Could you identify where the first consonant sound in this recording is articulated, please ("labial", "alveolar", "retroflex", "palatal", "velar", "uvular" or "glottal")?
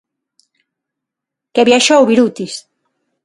velar